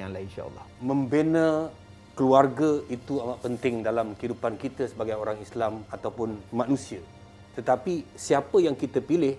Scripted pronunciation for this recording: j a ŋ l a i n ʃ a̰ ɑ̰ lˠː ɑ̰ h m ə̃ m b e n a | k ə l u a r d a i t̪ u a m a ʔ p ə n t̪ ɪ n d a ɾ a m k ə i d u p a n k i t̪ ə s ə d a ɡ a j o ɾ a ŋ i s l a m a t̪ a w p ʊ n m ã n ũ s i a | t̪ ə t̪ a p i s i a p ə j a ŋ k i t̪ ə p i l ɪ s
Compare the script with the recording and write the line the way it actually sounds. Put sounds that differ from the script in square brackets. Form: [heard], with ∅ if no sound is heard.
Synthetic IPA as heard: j a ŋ l a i n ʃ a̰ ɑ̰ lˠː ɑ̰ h m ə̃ m b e n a | k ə l u a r [ɡ] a i t̪ u a m a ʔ p ə n t̪ ɪ [ŋ] d a [l] a m k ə i d u p a n k i t̪ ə s ə [b] a ɡ a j o ɾ a ŋ i s l a m a t̪ a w p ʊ n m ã n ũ s i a | t̪ ə t̪ a p i s i a p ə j a ŋ k i t̪ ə p i l ɪ [h]